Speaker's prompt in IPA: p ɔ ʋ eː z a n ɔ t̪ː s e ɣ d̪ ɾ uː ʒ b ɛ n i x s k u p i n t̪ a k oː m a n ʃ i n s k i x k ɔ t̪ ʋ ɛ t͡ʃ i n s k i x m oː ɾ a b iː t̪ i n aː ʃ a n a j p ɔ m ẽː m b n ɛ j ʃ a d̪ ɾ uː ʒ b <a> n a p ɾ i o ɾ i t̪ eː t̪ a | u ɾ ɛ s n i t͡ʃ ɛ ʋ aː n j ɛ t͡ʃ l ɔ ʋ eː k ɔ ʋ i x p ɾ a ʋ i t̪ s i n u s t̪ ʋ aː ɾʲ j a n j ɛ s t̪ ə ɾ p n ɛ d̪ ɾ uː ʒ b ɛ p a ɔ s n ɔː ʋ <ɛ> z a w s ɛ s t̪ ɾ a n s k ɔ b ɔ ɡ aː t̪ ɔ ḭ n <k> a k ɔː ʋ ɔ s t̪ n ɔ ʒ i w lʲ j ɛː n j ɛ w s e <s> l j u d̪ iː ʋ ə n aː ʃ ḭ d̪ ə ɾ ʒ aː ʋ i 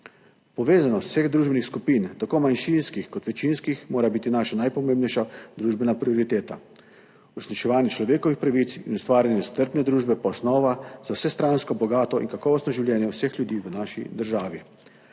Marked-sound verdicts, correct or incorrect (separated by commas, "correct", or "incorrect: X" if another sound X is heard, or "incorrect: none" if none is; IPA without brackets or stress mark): incorrect: ɛ, incorrect: a, correct, incorrect: x